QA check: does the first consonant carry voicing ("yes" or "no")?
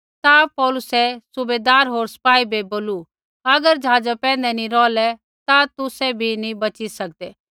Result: no